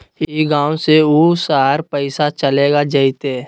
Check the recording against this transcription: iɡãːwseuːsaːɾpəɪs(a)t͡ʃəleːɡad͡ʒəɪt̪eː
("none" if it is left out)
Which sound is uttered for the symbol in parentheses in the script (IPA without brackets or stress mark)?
a